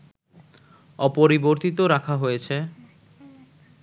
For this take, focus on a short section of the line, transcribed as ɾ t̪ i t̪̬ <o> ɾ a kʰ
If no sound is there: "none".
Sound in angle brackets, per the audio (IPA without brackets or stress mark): o